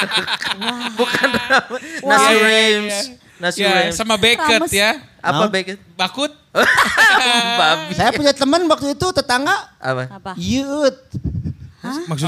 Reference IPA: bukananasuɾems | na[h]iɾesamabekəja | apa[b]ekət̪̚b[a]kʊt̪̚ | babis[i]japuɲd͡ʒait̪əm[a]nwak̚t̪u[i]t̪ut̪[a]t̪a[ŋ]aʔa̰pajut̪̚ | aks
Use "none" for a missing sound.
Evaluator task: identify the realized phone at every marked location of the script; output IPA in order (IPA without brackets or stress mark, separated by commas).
s, b, a, a, ə, i, ə, ŋ